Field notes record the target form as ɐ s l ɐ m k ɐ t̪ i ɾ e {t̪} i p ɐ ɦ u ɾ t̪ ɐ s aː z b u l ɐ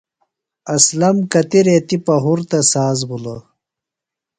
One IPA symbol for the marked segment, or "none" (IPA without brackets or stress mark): t̪